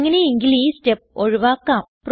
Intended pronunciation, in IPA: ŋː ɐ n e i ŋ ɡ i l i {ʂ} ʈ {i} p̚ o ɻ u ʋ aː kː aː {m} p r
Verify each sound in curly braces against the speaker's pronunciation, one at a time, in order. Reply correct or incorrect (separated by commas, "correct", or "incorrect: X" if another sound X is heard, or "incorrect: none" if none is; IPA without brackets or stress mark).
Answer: incorrect: s, incorrect: e, correct